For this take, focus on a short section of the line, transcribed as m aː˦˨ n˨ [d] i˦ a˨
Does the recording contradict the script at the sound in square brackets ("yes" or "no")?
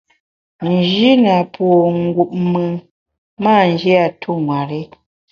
yes